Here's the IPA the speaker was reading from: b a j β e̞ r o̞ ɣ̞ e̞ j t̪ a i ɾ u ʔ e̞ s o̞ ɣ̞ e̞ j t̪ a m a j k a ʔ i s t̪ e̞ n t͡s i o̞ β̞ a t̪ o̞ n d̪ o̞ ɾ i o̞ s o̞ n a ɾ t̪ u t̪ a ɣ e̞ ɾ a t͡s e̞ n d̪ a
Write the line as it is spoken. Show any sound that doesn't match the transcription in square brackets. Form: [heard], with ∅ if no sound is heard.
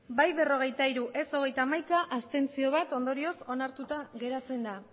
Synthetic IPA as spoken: b a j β e̞ r o̞ ɣ̞ e̞ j t̪ a i ɾ u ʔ e̞ s o̞ ɣ̞ e̞ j t̪ a m a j k a ʔ [a] s t̪ e̞ n t͡s i o̞ β̞ a t̪ o̞ n d̪ o̞ ɾ i o̞ s o̞ n a ɾ t̪ u t̪ a ɣ e̞ ɾ a t͡s e̞ n d̪ a